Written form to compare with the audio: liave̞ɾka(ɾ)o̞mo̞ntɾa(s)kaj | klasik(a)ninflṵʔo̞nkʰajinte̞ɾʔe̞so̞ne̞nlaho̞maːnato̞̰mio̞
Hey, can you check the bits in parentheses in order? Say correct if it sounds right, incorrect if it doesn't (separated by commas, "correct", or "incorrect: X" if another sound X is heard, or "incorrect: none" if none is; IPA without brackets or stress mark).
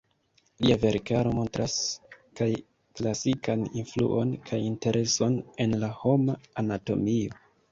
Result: correct, correct, correct